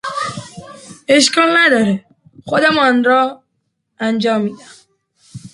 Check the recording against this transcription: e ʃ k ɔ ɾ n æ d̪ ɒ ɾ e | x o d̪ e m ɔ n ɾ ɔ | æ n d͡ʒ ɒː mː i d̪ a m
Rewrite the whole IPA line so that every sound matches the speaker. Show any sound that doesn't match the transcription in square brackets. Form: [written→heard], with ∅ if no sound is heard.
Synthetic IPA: e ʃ k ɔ [ɾ→l] n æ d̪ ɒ ɾ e | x o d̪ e m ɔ n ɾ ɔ | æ n d͡ʒ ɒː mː i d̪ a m